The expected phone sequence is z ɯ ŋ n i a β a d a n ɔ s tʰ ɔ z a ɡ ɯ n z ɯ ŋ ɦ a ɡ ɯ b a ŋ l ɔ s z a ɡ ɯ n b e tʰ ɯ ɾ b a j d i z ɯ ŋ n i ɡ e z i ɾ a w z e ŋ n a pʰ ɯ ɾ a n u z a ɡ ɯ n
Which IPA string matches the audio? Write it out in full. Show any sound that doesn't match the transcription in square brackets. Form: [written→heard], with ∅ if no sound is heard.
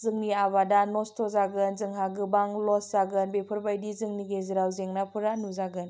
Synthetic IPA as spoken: z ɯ ŋ n i a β a d a n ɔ s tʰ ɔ z a ɡ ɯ n z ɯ ŋ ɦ a ɡ ɯ b a ŋ l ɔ s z a ɡ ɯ n b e [tʰ→pʰ] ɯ ɾ b a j d i z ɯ ŋ n i ɡ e z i ɾ a w z e ŋ n a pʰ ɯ ɾ a n u z a ɡ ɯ n